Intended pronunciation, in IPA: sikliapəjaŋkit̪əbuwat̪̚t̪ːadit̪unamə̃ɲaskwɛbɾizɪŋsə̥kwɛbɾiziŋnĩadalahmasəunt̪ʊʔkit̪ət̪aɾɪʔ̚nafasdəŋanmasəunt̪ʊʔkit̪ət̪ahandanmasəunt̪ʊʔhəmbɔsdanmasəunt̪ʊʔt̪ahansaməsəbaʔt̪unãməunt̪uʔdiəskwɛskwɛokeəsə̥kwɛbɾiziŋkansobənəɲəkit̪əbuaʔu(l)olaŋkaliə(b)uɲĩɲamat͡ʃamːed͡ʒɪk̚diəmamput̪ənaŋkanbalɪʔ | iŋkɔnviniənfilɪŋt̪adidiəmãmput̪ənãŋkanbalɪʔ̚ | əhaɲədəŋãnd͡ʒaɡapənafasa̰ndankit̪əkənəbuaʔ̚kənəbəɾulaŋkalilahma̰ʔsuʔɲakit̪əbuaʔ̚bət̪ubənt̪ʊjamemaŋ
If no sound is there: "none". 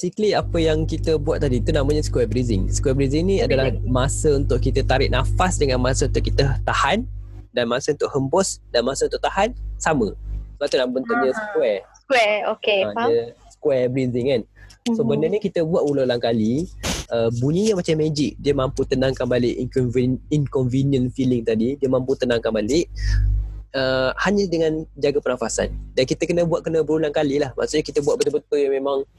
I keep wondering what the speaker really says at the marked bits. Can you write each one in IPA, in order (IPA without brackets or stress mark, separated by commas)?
l, b